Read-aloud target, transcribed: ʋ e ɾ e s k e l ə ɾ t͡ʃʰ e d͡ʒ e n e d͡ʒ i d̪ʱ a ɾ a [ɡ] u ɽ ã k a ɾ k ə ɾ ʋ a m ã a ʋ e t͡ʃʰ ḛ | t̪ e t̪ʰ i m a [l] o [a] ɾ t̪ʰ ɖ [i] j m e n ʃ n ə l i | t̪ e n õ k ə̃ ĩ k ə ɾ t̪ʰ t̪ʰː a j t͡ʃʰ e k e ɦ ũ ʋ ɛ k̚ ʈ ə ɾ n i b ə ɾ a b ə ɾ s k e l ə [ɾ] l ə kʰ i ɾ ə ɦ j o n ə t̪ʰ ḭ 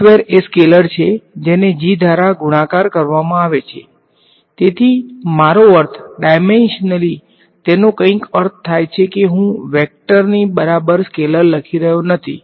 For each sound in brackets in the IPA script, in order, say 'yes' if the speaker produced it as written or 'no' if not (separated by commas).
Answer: yes, no, no, no, yes